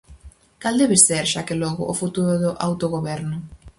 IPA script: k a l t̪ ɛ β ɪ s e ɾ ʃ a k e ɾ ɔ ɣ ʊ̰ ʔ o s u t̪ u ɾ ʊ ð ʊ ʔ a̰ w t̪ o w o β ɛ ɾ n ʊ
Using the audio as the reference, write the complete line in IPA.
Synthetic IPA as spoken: k a l d̪ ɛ β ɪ s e ɾ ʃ a k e l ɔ ɣ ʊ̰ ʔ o f u t̪ u ɾ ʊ ð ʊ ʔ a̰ w t̪ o ɣ o β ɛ ɾ n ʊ